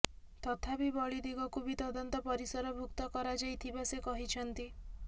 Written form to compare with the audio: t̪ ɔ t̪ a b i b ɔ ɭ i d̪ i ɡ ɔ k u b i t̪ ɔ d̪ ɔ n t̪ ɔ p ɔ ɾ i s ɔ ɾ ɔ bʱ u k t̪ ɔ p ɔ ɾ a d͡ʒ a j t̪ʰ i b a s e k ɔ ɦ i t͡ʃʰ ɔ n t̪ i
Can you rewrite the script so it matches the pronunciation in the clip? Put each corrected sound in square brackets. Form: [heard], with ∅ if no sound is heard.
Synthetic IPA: t̪ ɔ [t̪ʰ] a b i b ɔ ɭ i d̪ i ɡ ɔ k u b i t̪ ɔ d̪ ɔ n t̪ ɔ p ɔ ɾ i s ɔ ɾ ɔ bʱ u k t̪ ɔ [k] ɔ ɾ a d͡ʒ a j t̪ʰ i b a s e k ɔ ɦ i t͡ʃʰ ɔ n t̪ i